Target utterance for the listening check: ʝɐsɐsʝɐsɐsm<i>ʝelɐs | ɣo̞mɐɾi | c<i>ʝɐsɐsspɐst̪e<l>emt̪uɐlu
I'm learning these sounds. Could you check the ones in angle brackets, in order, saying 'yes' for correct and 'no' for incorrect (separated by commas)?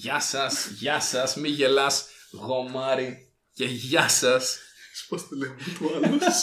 yes, no, yes